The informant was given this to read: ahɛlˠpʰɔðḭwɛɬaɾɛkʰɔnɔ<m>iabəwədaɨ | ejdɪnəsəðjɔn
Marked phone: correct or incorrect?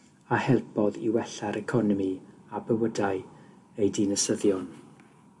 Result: correct